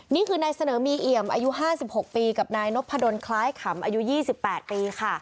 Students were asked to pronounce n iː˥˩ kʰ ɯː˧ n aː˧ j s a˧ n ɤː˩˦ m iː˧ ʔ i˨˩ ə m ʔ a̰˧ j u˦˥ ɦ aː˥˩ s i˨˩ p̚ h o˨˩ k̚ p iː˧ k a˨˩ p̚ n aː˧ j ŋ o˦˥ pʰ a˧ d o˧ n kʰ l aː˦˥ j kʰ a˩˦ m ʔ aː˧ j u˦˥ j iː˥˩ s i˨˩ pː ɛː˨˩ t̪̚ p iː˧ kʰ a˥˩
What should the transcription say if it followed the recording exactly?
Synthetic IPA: n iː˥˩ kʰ ɯː˧ n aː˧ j s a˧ n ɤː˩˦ m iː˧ ʔ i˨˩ ə m ʔ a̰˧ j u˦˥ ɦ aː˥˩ s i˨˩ p̚ h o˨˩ k̚ p iː˧ k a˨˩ p̚ n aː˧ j n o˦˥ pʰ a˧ d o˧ n kʰ l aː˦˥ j kʰ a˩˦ m ʔ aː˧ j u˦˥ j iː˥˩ s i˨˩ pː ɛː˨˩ t̪̚ p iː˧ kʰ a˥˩